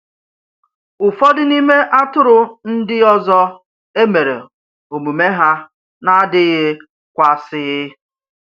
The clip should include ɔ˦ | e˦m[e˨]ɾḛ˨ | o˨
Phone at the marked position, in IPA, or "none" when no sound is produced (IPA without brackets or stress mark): e˨